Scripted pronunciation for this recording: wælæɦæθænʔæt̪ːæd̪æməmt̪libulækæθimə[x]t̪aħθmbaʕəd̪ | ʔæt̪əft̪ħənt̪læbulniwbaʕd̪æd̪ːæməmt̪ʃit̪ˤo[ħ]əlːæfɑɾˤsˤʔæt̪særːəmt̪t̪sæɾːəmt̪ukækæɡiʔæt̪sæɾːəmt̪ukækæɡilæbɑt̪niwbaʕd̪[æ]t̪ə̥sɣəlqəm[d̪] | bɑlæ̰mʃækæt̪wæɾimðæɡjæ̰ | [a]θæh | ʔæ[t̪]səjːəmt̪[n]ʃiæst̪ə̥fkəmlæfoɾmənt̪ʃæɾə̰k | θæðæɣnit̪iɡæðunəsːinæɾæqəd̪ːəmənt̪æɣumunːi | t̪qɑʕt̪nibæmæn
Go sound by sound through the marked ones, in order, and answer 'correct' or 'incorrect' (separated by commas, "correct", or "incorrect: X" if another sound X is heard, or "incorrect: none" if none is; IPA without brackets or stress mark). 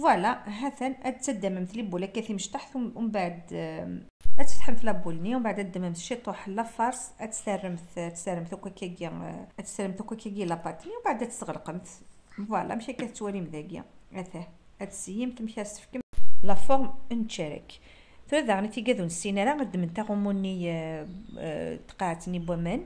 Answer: incorrect: ʃ, correct, correct, incorrect: t̪, incorrect: æ, correct, incorrect: m